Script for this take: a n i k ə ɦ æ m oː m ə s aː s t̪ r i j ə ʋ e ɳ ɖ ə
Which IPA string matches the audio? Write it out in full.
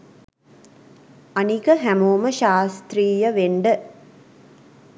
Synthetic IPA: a n i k ə ɦ æ m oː m ə ʃ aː s t̪ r iː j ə ʋ e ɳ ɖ ə